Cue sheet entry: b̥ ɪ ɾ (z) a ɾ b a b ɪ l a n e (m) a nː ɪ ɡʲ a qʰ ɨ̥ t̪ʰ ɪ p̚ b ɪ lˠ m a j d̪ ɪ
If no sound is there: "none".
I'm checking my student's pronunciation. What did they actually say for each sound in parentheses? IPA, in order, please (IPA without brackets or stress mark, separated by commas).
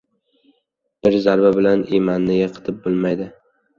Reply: z, m